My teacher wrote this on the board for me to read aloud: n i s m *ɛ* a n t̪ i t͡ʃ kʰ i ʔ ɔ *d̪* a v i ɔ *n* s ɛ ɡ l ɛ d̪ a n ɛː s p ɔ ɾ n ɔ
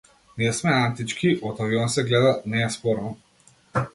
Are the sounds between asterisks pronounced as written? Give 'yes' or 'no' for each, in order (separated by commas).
yes, no, yes